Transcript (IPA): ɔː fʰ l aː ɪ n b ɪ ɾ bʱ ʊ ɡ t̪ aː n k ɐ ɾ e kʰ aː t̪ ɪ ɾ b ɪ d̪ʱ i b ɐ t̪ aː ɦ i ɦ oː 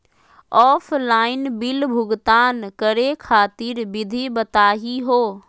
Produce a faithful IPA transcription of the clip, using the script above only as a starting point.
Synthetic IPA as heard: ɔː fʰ l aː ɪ n b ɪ l bʱ ʊ ɡ t̪ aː n k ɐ ɾ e kʰ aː t̪ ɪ ɾ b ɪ d̪ʱ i b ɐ t̪ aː ɦ i ɦ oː

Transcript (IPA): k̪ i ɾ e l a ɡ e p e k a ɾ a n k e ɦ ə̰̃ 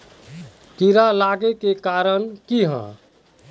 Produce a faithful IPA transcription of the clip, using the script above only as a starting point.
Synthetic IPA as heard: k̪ i ɾ a l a ɡ e k e k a ɾ ə n k i ɦ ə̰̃

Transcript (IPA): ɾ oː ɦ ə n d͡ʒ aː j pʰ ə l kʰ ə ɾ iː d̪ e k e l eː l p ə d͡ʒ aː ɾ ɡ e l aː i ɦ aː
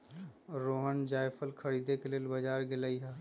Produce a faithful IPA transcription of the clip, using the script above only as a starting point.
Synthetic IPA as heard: ɾ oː ɦ ə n d͡ʒ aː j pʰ ə l kʰ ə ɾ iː d̪ e k e l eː l b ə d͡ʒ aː ɾ ɡ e l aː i ɦ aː

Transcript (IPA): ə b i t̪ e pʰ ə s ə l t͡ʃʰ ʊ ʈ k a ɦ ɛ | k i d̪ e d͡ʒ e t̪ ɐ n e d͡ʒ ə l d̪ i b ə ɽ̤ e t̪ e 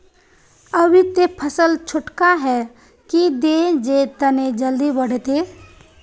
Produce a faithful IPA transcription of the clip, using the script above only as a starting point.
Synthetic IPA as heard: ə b i t̪ e pʰ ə s ə l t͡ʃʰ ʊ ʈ k a ɦ ɛ | k i d̪ e d͡ʒ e t̪ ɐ n e d͡ʒ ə l d̪ i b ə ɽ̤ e t̪ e

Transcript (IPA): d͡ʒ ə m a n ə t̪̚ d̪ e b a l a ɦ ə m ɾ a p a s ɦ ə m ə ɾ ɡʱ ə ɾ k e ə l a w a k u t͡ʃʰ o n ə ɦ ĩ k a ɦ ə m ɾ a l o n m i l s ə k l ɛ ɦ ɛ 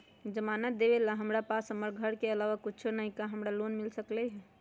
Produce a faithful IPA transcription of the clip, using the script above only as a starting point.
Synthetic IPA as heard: d͡ʒ ə m a n ə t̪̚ d̪ e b e l a ɦ ə m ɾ a p a s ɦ ə m ə ɾ ɡʱ ə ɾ k e ə l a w a k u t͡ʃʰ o n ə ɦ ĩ k a ɦ ə m ɾ a l o n m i l s ə k l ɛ ɦ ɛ

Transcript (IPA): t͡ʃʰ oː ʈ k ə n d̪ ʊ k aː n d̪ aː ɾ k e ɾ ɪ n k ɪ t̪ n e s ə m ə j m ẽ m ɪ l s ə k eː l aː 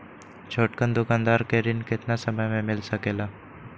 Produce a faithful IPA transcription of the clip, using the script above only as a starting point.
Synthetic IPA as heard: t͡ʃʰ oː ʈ k ə n d̪ ʊ k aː n d̪ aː ɾ k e ɾ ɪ n k ɪ t̪ n a s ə m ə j m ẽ m ɪ l s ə k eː l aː

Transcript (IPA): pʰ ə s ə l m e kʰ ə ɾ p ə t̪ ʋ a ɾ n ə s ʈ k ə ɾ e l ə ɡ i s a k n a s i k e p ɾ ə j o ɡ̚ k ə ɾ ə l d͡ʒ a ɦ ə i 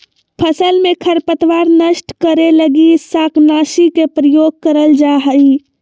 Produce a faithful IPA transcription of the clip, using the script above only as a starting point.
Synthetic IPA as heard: pʰ ə s ə l m e kʰ ə ɾ p ə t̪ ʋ a ɾ n ə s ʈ k ə ɾ e l ə ɡ i s a k n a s i k e p ɾ ə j o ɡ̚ k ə ɾ ə l d͡ʒ a ɦ ə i

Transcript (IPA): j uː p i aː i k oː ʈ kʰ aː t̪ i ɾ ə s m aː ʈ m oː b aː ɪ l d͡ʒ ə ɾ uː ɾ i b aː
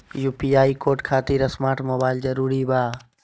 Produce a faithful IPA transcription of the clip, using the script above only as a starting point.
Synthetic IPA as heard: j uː p i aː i k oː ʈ kʰ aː t̪ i ɾ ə s m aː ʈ m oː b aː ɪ l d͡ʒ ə ɾ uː ɾ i b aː

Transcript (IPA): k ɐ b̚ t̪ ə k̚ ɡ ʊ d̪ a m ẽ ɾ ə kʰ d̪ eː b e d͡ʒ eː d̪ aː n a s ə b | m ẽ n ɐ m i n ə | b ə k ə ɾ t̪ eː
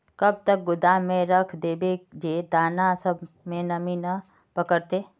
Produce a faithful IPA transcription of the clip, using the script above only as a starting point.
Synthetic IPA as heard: k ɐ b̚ t̪ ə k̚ ɡ ʊ d̪ a m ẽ ɾ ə kʰ d̪ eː b e d͡ʒ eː d̪ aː n a s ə b | m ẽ n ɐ m i n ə | p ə k ə ɾ t̪ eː

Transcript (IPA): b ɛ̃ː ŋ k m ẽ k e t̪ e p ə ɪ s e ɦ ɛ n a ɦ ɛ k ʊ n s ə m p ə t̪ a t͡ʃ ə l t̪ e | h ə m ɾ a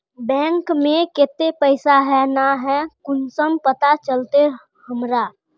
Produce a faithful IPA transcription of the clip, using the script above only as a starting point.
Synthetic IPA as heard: b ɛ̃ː ŋ k m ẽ k e t̪ e p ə ɪ s a ɦ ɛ n a ɦ ɛ k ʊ n s ə m p ə t̪ a t͡ʃ ə l t̪ e | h ə m ɾ a

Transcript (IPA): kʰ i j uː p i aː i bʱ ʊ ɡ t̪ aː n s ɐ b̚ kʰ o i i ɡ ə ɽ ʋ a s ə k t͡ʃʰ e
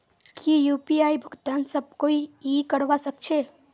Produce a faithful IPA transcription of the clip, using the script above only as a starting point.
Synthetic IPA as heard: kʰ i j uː p i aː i bʱ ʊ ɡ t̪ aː n s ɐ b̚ k o i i k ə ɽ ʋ a s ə k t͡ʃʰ e

